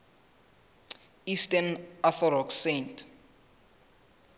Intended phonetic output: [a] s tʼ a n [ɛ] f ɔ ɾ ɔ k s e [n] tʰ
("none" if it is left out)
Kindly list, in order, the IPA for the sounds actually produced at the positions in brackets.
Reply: i, a, n

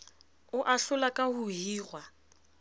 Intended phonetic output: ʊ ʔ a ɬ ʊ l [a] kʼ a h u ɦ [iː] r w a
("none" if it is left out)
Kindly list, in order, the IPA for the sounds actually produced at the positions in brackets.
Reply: a, iː

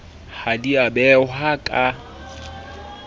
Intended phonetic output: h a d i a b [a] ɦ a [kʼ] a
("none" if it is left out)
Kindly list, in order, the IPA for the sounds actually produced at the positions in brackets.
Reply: ɛ, kʼ

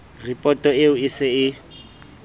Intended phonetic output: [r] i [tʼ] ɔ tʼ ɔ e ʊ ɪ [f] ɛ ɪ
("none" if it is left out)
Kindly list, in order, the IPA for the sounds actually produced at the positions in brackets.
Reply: r, pʼ, s

